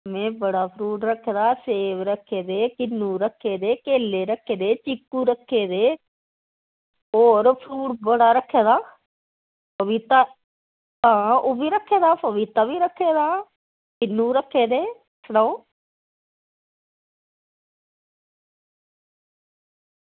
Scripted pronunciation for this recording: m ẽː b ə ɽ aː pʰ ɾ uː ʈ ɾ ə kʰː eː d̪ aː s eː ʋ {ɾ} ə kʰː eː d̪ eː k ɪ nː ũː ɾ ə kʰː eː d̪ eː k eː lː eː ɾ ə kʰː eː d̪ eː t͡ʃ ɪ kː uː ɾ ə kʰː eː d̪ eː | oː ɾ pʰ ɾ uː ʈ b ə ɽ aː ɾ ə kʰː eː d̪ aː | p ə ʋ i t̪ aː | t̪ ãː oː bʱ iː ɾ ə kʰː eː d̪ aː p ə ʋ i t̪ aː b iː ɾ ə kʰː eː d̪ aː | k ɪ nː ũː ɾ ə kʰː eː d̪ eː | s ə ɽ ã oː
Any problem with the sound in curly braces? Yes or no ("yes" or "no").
no